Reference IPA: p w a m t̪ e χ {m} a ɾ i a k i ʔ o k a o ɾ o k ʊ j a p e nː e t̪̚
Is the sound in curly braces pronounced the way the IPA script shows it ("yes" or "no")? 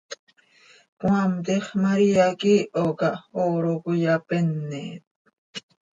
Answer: yes